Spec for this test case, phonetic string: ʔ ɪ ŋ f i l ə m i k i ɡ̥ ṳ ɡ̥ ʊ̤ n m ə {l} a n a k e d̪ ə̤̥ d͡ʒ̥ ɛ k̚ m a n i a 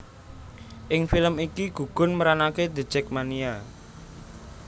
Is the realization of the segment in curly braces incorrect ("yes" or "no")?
yes